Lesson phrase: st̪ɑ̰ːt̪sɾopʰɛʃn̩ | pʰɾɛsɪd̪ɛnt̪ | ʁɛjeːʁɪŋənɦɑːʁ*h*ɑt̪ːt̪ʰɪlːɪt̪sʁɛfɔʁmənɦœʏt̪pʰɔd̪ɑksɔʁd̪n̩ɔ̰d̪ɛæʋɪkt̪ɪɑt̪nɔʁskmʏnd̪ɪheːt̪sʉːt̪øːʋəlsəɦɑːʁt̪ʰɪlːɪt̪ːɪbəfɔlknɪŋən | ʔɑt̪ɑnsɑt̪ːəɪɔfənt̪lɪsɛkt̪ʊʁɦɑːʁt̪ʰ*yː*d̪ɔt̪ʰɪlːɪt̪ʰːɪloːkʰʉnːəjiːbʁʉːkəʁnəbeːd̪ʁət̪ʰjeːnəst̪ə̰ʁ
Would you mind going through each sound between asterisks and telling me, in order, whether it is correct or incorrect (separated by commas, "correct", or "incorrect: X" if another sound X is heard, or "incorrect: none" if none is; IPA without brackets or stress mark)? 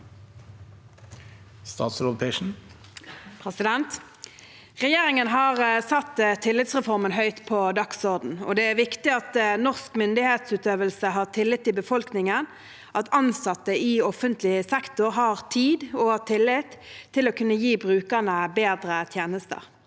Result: incorrect: s, incorrect: iː